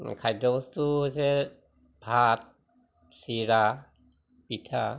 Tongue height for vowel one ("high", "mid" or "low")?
low